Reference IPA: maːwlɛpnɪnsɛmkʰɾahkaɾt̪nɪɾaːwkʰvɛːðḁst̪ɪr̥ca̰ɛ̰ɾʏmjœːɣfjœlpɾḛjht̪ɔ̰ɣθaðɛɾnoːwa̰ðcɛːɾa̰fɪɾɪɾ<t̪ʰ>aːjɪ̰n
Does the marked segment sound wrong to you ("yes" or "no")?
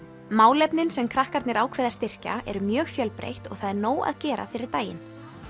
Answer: yes